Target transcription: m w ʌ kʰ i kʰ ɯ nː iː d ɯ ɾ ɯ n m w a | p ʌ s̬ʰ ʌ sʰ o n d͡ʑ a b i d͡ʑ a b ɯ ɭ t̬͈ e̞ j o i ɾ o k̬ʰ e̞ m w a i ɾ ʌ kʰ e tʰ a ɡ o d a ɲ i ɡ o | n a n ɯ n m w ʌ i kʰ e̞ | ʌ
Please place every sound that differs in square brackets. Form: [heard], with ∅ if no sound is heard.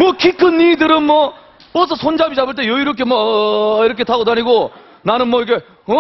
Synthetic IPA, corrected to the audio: m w ʌ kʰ i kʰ ɯ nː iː d ɯ ɾ ɯ n m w [ʌ] | p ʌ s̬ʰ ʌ sʰ o n d͡ʑ a b i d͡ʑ a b ɯ ɭ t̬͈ e̞ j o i ɾ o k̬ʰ e̞ m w [ʌ] i ɾ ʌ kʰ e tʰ a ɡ o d a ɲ i ɡ o | n a n ɯ n m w ʌ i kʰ e̞ | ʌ

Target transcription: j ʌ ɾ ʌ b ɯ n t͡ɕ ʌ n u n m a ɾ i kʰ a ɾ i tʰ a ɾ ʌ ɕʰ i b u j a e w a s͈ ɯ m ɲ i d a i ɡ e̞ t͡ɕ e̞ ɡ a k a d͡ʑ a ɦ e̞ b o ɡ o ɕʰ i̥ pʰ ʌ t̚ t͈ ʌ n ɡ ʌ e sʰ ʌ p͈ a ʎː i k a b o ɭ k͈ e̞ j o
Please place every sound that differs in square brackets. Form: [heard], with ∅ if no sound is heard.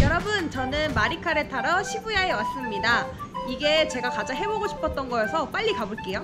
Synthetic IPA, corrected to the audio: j ʌ ɾ ʌ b ɯ n t͡ɕ ʌ n [ɯ] n m a ɾ i kʰ a ɾ [e] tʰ a ɾ ʌ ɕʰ i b u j a e w a s͈ ɯ m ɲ i d a i ɡ e̞ t͡ɕ e̞ ɡ a k a d͡ʑ a ɦ e̞ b o ɡ o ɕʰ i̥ pʰ ʌ t̚ t͈ ʌ n ɡ ʌ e sʰ ʌ p͈ a ʎː i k a b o ɭ k͈ e̞ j o

